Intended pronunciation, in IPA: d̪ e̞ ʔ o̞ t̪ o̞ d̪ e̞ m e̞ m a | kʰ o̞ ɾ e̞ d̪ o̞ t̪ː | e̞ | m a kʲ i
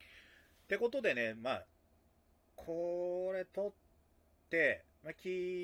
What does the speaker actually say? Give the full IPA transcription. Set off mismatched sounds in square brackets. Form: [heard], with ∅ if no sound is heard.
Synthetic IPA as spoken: [t̪] e̞ [k] o̞ t̪ o̞ d̪ e̞ [n] e̞ m a | kʰ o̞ ɾ e̞ [t̪] o̞ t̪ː | e̞ | m a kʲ i